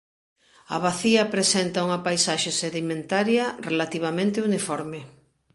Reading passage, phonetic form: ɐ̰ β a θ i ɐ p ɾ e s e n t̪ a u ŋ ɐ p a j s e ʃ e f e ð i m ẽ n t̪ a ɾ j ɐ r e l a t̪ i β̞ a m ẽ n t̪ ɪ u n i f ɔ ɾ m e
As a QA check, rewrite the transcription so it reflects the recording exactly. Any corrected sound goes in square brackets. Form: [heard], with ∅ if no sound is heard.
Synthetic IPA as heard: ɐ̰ β a θ i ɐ p ɾ e s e n t̪ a u ŋ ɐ p a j s [a] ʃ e [s] e ð i m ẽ n t̪ a ɾ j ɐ r e l a t̪ i β̞ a m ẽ n t̪ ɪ u n i f ɔ ɾ m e